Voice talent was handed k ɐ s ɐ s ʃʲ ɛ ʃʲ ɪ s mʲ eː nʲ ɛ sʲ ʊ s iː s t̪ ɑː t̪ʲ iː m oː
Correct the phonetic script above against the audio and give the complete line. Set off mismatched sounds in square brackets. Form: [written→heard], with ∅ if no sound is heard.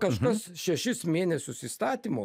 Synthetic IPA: k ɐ [s→ʃ] ɐ s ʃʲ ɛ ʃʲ ɪ s mʲ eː nʲ ɛ sʲ ʊ s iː s t̪ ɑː t̪ʲ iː m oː